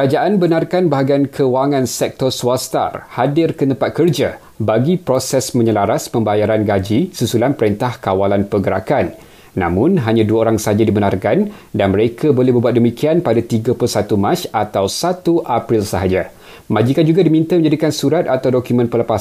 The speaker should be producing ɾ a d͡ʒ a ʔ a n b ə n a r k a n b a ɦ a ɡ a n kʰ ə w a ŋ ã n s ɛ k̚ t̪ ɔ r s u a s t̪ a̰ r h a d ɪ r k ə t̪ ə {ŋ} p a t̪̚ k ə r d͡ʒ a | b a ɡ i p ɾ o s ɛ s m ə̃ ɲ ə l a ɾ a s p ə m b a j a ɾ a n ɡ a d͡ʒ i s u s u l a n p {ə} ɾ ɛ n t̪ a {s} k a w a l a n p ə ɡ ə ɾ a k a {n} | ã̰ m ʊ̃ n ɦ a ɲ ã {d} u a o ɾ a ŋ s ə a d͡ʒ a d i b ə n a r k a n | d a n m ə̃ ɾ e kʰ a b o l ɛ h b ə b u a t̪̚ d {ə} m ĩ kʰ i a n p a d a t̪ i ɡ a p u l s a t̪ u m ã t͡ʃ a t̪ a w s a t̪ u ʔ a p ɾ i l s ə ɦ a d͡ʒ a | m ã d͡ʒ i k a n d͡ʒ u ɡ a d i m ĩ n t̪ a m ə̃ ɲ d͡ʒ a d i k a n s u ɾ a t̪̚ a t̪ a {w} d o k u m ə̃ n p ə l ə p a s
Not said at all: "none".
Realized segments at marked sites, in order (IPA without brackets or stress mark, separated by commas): m, ə, h, nː, d, ə, w